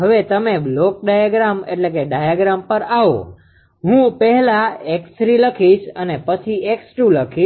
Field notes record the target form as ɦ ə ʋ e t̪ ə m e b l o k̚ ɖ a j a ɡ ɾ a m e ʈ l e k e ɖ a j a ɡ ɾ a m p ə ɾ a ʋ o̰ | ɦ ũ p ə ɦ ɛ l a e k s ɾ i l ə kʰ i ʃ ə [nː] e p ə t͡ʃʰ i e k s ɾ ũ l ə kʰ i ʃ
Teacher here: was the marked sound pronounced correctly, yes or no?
no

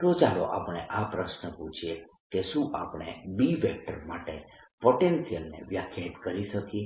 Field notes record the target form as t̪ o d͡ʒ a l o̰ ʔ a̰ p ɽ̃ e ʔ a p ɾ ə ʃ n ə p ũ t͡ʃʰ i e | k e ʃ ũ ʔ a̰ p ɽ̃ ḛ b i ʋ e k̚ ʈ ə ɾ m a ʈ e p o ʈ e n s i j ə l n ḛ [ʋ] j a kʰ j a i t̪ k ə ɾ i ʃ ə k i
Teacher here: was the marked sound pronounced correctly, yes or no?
yes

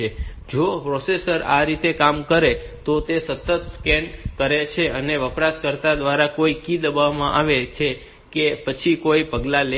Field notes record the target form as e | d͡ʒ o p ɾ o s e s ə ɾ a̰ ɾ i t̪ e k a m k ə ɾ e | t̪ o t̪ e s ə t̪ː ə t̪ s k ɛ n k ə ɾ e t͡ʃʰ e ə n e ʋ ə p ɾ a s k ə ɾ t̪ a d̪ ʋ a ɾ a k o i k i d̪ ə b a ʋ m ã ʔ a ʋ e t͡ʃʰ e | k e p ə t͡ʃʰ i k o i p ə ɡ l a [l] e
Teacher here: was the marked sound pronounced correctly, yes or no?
yes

